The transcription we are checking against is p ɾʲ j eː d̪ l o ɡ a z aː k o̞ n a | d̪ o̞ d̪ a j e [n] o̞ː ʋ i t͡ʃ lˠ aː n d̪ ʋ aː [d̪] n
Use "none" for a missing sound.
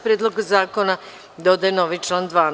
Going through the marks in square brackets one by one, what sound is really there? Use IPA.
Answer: n, none

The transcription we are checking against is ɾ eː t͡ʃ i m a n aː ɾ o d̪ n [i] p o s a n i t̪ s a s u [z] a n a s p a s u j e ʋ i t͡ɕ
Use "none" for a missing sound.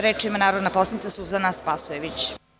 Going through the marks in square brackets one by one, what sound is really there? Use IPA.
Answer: a, z

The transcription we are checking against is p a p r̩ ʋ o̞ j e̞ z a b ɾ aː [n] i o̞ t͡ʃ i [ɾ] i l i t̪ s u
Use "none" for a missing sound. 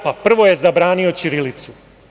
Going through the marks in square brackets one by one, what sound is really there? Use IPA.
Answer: n, ɾ

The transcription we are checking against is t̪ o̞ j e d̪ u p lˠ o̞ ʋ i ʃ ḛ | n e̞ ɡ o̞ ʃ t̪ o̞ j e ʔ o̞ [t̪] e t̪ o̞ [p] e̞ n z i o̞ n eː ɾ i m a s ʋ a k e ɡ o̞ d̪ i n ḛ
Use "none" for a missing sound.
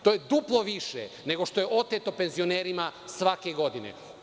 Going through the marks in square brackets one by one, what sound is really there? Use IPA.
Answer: t̪, p

